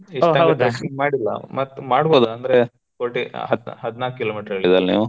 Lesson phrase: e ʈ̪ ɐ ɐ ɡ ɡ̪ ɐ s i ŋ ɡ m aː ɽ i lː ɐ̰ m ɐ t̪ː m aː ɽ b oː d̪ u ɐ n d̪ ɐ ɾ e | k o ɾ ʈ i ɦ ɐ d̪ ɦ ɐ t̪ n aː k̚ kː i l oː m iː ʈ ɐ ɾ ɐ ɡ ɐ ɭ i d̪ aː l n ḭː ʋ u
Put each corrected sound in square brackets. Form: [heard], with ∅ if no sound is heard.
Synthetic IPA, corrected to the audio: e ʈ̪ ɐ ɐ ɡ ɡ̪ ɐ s i ŋ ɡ m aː ɽ i lː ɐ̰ m ɐ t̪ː m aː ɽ b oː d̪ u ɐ n d̪ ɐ ɾ e | k o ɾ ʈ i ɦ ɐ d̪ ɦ ɐ [d̪] n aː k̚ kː i l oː m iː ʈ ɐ ɾ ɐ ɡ ɐ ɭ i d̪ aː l n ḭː ʋ u